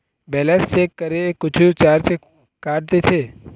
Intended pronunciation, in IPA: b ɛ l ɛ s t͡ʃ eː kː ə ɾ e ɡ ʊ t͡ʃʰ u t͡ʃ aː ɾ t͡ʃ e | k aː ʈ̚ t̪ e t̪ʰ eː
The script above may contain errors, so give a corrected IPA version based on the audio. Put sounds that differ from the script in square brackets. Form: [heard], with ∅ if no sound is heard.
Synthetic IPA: b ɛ l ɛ s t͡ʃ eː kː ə ɾ e [k] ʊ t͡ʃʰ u t͡ʃ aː ɾ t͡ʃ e | k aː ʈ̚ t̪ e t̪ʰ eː